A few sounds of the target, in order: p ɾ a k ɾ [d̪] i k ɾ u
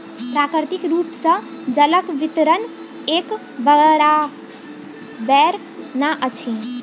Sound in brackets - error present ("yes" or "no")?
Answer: yes